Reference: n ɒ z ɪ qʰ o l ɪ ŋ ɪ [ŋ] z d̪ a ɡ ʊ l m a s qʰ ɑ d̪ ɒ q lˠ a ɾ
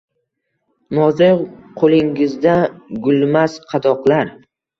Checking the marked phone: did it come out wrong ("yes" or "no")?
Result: yes